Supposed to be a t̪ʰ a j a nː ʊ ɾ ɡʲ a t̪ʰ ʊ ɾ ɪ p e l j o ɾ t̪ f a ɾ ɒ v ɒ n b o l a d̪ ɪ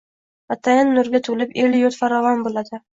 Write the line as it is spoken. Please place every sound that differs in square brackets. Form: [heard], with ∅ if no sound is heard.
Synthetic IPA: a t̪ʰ a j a nː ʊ ɾ ɡʲ a t̪ʰ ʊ [l] ɪ p e l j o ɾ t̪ f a ɾ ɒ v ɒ n b o l a d̪ ɪ